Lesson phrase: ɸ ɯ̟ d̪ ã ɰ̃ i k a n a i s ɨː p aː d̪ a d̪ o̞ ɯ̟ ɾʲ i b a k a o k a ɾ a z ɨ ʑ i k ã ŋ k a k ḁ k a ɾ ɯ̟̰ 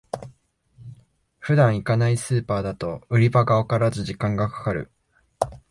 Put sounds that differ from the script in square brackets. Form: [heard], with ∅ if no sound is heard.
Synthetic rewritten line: ɸ ɯ̟ d̪ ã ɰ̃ i k a n a i s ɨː p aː d̪ a [t̪] o̞ ɯ̟ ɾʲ i b a [ɡ] a o k a ɾ a z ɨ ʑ i k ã ŋ [ɡ] a k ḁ k a ɾ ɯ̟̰